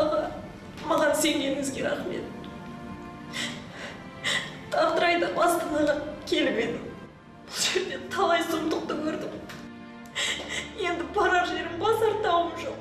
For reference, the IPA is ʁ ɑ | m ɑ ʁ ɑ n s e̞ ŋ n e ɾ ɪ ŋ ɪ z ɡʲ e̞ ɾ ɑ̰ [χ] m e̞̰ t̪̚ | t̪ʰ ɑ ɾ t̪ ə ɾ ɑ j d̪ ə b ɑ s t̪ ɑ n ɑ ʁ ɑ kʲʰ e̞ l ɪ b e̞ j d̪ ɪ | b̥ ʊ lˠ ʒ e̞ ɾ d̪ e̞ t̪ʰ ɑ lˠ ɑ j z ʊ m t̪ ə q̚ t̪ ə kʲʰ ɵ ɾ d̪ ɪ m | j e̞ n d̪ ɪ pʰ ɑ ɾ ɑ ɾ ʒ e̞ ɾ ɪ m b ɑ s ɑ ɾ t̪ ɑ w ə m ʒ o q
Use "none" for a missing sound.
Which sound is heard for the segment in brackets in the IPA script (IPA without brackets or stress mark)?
χ